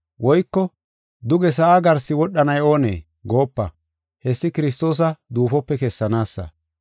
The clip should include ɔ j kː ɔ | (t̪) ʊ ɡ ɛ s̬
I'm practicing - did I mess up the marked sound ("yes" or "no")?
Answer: yes